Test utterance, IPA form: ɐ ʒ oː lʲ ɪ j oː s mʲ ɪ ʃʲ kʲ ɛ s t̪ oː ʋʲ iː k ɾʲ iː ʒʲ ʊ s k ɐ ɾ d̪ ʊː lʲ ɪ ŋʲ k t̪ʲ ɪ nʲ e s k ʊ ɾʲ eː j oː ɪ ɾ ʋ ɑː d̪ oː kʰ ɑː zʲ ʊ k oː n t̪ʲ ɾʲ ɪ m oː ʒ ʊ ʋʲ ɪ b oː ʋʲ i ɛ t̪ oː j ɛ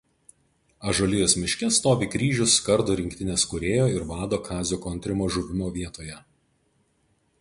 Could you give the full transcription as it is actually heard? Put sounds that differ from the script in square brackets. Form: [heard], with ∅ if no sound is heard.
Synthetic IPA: ɐ ʒ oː lʲ ɪ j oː s mʲ ɪ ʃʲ kʲ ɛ s t̪ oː ʋʲ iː k ɾʲ iː ʒʲ ʊ s k ɐ ɾ d̪ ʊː [ɾʲ] ɪ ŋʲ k t̪ʲ ɪ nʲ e s k ʊ ɾʲ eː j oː ɪ ɾ ʋ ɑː d̪ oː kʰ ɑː zʲ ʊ k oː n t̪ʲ ɾʲ ɪ m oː ʒ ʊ ʋʲ ɪ [m] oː ʋʲ i ɛ t̪ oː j ɛ